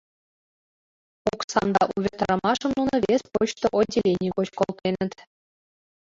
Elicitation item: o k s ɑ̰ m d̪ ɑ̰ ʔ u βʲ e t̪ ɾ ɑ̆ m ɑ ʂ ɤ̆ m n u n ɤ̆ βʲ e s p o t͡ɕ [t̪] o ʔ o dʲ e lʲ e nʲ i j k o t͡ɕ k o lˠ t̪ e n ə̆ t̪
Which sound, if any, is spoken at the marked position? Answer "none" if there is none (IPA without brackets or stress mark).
t̪